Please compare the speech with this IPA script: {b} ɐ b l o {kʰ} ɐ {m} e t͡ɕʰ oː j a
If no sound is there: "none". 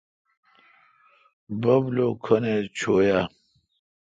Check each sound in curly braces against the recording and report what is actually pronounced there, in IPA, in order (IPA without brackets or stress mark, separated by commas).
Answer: b, kʰ, n